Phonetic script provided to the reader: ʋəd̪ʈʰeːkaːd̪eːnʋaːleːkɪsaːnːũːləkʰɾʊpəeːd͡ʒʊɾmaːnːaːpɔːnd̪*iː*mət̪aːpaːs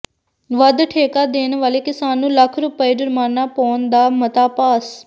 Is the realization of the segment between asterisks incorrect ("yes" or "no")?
yes